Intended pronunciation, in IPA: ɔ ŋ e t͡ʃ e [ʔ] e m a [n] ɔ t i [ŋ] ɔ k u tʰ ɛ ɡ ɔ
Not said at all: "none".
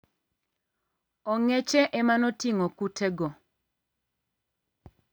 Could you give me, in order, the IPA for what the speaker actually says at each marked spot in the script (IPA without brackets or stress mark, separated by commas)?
ʔ, n, ŋ